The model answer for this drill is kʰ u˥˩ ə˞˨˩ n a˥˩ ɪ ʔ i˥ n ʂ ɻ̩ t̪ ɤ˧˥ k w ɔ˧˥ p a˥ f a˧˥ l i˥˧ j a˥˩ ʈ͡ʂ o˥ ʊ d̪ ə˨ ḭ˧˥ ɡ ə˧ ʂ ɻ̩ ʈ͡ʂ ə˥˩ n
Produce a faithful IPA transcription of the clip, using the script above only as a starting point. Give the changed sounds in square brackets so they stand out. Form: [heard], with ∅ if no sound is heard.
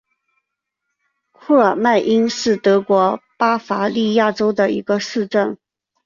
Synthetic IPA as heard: kʰ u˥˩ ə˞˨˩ [m] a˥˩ ɪ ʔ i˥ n ʂ ɻ̩ t̪ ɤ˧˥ k w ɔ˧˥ p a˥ f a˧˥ l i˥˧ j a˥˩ ʈ͡ʂ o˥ ʊ d̪ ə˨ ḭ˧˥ ɡ ə˧ ʂ ɻ̩ ʈ͡ʂ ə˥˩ n

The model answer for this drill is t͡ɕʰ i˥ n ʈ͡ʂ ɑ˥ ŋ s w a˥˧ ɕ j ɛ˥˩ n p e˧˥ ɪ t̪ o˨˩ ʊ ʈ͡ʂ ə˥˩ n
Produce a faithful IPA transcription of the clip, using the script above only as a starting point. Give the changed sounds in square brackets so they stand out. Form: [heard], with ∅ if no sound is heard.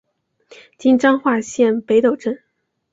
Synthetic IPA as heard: [t͡ɕ] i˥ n ʈ͡ʂ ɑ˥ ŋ [x] w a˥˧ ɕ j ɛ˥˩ n p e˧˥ ɪ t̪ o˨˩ ʊ ʈ͡ʂ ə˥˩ n

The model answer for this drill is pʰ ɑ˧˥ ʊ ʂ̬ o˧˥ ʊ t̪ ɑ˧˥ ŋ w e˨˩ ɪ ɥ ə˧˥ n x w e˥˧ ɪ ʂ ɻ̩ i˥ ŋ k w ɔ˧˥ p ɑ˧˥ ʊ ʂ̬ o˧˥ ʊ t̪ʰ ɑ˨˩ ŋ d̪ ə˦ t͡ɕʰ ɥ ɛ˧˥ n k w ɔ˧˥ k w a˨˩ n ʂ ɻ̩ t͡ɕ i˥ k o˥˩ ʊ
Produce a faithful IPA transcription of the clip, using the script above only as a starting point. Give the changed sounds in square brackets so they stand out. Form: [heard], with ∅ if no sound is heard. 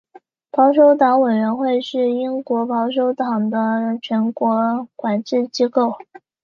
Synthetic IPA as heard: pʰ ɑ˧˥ ʊ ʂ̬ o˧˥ ʊ t̪ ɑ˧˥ ŋ w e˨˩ ɪ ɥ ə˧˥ n x w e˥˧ ɪ ʂ ɻ̩ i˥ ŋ k w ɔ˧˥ p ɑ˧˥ ʊ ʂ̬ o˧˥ ʊ [t̪] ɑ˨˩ ŋ d̪ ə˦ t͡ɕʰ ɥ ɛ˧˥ n k w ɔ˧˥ k w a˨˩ n [ʈ͡ʂ] ɻ̩ t͡ɕ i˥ k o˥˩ ʊ

